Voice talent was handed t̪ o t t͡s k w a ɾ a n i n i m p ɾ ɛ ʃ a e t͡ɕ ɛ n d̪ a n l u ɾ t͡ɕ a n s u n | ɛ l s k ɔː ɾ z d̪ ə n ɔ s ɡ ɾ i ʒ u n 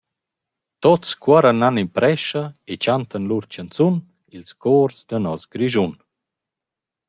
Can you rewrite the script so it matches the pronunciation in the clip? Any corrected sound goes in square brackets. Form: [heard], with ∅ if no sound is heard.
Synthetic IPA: t̪ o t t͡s k w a ɾ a n [a] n i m p ɾ ɛ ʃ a e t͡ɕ [a] n [t̪] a n l u ɾ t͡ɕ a n [t͡s] u n | [i] l s k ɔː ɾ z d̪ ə n ɔ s ɡ ɾ i ʒ u n